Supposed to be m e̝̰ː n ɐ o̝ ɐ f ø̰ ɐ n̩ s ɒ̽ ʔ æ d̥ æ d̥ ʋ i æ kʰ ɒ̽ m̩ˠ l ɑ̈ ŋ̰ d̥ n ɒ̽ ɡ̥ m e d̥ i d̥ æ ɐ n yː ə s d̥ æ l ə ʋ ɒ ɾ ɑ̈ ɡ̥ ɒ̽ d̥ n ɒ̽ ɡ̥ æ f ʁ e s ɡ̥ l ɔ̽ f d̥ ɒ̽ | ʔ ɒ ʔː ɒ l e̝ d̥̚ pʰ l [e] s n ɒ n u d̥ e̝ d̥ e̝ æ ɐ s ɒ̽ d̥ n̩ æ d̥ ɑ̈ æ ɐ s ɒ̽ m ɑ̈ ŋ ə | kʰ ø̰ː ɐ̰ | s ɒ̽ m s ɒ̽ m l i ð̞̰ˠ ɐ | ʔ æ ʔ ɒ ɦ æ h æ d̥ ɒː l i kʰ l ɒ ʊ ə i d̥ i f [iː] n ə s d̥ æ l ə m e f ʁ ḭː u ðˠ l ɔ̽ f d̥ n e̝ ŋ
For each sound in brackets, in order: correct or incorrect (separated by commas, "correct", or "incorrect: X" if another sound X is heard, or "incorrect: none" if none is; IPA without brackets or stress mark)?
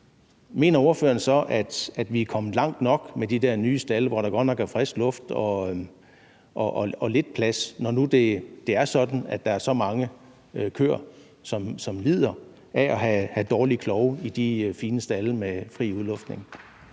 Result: incorrect: æ, correct